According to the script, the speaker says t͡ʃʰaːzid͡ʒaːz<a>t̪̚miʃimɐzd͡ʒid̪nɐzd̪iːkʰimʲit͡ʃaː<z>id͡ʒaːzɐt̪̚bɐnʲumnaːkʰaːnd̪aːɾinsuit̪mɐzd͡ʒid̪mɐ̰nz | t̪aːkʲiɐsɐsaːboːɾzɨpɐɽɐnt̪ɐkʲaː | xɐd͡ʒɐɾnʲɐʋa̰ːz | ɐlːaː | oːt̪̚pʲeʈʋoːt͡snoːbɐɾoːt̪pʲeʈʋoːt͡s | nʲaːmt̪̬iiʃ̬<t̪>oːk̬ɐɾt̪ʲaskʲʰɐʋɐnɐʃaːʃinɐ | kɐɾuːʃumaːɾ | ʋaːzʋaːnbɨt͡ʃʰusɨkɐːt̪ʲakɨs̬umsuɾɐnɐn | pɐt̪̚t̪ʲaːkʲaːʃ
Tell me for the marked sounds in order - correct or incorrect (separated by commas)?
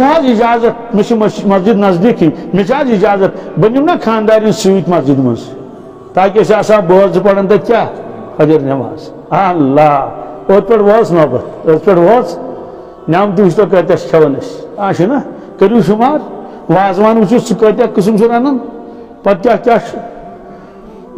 incorrect, correct, correct